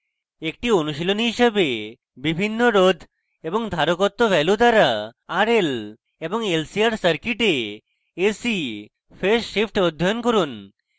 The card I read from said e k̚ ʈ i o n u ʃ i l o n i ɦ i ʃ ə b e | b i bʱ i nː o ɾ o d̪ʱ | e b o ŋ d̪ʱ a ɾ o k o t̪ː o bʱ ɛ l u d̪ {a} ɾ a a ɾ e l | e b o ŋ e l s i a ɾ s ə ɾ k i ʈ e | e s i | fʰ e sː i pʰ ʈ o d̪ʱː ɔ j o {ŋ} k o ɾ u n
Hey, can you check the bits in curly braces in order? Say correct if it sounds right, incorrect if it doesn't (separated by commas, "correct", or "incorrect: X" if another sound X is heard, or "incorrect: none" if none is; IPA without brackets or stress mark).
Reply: correct, incorrect: n